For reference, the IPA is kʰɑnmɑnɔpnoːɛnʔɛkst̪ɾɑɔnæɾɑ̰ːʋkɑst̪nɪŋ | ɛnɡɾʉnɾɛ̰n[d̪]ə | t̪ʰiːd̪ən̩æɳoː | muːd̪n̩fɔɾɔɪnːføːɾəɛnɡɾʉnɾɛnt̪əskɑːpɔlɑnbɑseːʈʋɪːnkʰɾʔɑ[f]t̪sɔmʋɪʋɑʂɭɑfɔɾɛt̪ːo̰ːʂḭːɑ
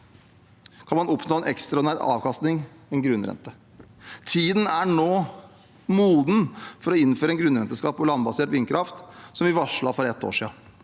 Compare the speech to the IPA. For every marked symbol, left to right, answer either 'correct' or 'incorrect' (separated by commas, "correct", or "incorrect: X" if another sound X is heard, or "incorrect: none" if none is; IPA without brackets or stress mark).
incorrect: t̪, correct